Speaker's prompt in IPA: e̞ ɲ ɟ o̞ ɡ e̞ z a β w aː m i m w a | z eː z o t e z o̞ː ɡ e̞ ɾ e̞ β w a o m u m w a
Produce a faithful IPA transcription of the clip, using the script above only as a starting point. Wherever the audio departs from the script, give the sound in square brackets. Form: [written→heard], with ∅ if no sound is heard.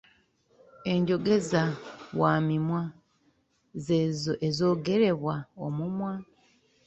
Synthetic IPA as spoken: e̞ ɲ ɟ o̞ ɡ e̞ z a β w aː m i m w a | z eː z o [t→ʔ] e z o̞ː ɡ e̞ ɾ e̞ β w a o m u m w a